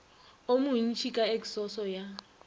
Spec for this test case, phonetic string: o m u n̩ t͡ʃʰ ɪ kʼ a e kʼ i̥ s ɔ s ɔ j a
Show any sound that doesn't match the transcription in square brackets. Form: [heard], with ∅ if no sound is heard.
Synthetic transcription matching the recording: o m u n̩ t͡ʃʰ [i] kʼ a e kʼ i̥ s ɔ s ɔ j a